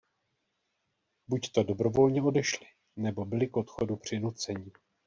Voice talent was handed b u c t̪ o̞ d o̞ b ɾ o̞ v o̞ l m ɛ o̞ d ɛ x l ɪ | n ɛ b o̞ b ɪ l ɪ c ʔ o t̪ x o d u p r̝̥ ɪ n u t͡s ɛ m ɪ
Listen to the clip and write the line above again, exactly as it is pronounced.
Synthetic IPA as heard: b u c t̪ o̞ d o̞ b ɾ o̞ v o̞ l ɲ ɛ o̞ d ɛ ʃ l ɪ | n ɛ b o̞ b ɪ l ɪ k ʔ o t̪ x o d u p r̝̥ ɪ n u t͡s ɛ ɲ ɪ